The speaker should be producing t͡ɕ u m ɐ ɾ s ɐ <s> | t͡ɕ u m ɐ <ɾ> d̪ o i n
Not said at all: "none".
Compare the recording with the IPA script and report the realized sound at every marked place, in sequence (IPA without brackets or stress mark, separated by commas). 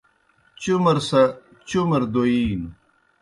none, ɾ